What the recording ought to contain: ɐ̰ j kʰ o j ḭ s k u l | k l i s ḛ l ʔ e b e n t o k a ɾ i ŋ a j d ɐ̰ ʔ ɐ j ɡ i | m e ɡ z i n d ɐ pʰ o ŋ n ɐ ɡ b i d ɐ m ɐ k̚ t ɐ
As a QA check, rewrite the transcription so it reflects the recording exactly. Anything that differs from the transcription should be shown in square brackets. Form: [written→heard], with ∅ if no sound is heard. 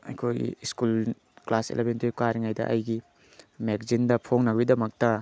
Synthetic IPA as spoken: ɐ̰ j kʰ o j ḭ s k u l | k l [i→a] s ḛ l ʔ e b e n t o k a ɾ i ŋ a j d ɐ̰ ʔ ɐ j ɡ i | m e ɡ z i n d ɐ pʰ o ŋ n ɐ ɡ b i d ɐ m ɐ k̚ t ɐ